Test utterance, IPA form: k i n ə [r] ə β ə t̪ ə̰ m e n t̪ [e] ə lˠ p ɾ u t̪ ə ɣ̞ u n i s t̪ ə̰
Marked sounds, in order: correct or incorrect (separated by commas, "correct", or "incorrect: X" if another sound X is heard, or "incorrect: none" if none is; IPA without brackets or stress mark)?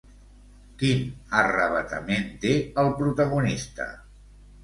correct, correct